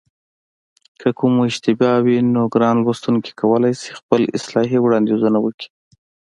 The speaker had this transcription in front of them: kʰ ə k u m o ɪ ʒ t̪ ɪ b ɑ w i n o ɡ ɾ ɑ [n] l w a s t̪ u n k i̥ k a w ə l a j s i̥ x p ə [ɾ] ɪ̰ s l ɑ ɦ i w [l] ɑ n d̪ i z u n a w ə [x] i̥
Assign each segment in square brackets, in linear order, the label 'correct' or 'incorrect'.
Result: correct, incorrect, incorrect, incorrect

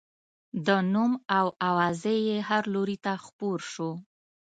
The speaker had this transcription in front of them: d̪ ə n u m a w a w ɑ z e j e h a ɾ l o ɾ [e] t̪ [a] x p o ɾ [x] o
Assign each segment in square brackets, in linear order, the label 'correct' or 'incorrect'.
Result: incorrect, correct, incorrect

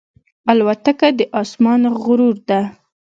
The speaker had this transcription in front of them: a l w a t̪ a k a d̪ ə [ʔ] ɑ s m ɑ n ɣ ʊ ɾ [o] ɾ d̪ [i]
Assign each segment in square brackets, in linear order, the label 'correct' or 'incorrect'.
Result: correct, incorrect, incorrect

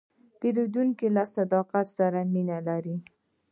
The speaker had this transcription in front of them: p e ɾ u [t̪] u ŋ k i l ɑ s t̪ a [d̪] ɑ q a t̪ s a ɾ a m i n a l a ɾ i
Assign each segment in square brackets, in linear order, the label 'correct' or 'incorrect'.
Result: incorrect, correct

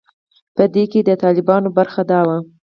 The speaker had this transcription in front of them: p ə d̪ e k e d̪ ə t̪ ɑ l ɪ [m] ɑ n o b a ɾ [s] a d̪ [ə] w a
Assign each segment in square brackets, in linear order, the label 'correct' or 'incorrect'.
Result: incorrect, incorrect, incorrect

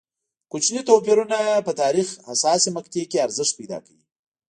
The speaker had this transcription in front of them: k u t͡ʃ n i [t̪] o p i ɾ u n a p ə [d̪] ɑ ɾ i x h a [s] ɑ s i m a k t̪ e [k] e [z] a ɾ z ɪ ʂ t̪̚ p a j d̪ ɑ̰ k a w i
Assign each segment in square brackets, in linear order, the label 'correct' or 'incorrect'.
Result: correct, incorrect, correct, correct, incorrect

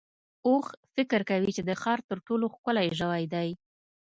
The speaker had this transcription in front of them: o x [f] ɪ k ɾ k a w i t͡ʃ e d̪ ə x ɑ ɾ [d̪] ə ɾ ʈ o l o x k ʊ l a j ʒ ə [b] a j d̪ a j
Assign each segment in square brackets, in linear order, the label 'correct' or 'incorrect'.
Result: correct, incorrect, incorrect

